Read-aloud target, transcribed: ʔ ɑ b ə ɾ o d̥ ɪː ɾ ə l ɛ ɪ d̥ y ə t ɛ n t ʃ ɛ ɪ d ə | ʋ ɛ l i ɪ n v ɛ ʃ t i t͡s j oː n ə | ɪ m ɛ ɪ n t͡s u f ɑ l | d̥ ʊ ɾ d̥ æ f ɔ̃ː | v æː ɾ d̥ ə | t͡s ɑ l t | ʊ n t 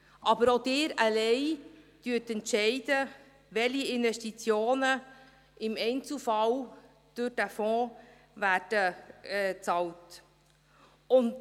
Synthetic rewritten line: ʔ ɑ b ə ɾ o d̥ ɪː ɾ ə l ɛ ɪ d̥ y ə t ɛ n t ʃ ɛ ɪ d ə | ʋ ɛ l i ɪ n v ɛ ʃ t i t͡s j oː n ə | ɪ m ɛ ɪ n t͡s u f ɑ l | d̥ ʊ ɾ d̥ æ f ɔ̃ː | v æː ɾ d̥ ə | t͡s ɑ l t | ʊ n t